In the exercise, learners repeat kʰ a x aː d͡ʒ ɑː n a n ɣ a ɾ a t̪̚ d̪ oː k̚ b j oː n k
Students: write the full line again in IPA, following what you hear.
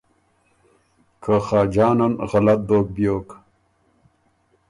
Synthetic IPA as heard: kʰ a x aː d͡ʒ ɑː n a n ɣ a l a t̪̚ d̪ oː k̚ b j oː k